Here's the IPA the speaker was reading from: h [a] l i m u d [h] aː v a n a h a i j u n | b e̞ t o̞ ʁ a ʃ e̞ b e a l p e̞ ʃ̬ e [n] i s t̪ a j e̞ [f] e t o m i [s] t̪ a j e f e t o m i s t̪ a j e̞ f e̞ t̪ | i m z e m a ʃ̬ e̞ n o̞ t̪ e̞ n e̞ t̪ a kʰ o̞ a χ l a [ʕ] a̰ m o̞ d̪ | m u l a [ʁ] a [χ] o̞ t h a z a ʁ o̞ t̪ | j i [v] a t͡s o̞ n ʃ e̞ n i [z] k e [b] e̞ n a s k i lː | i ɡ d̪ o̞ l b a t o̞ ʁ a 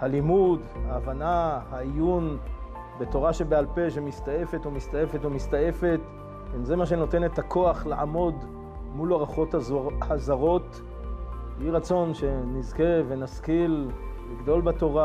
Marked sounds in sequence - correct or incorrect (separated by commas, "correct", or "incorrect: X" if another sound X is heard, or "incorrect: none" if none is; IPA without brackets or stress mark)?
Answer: correct, correct, incorrect: m, correct, correct, correct, correct, correct, incorrect: ʁ, correct, incorrect: v